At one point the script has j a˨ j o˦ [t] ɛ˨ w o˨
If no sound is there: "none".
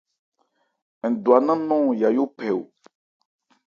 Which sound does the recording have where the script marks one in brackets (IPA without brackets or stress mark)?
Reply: p